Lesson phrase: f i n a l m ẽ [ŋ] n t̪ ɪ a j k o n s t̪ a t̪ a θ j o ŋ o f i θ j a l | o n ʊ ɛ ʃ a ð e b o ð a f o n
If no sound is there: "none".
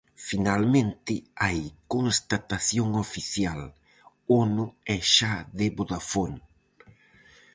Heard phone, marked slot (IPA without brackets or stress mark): none